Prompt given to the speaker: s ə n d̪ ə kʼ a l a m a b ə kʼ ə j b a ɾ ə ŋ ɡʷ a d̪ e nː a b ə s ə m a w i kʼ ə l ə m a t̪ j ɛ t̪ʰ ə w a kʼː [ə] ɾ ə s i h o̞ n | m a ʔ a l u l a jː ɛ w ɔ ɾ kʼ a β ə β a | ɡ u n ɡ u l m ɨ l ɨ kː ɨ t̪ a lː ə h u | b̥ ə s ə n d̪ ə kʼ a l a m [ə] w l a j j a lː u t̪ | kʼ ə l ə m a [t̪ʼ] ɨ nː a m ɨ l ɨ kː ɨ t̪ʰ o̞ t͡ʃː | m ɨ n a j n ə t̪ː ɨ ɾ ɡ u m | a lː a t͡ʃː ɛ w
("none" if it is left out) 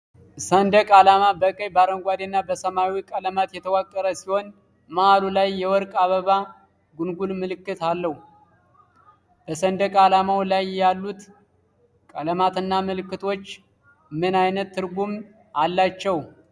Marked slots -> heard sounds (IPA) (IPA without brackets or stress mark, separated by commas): ə, a, t̪